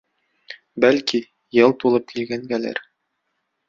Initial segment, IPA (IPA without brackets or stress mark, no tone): b